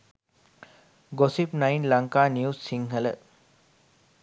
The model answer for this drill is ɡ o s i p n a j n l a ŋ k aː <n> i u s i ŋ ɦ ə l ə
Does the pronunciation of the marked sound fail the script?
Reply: no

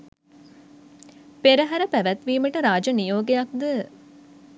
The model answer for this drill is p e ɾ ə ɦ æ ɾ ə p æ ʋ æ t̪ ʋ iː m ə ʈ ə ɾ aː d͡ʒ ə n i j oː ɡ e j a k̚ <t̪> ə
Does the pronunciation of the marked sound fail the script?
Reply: yes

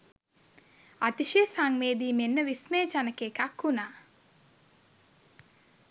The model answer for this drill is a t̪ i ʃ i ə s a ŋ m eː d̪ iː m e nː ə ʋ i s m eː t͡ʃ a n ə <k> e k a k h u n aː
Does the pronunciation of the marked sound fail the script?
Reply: no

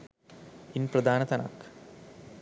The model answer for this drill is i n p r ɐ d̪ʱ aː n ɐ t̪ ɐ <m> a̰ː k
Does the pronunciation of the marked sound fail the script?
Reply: yes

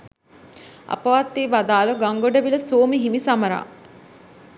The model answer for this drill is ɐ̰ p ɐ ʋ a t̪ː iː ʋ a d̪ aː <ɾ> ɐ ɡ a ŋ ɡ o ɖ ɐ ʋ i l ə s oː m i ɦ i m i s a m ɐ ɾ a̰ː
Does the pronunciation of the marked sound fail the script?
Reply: yes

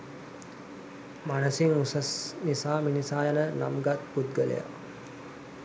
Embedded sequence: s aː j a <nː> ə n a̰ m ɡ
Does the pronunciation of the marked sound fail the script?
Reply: yes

